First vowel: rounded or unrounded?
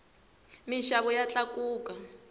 unrounded